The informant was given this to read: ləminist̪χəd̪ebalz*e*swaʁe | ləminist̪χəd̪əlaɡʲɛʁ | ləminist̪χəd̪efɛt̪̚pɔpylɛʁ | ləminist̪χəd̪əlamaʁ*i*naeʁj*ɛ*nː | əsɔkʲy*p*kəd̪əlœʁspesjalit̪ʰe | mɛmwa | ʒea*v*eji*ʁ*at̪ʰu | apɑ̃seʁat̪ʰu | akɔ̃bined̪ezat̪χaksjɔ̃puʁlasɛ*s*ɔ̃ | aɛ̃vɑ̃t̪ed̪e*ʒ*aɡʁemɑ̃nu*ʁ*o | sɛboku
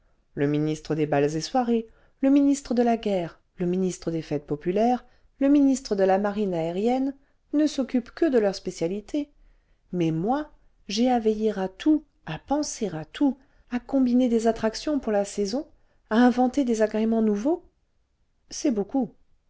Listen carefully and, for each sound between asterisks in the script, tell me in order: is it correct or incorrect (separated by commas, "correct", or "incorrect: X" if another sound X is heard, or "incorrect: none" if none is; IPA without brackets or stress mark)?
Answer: correct, correct, correct, correct, correct, correct, incorrect: z, incorrect: z, incorrect: v